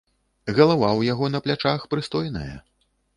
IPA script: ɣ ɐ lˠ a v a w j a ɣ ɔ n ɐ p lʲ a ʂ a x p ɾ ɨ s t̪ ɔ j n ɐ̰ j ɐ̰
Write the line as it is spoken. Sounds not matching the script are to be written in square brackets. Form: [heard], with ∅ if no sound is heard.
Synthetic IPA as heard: ɣ ɐ lˠ a v a w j a ɣ ɔ n ɐ p lʲ a [t͡ʂ] a x p ɾ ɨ s t̪ ɔ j n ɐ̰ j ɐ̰